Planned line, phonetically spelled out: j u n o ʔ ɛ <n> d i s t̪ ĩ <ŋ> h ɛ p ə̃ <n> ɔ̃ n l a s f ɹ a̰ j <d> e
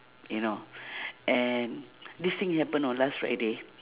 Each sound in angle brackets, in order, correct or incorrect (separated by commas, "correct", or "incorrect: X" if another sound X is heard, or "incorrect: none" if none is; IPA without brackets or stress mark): correct, correct, correct, correct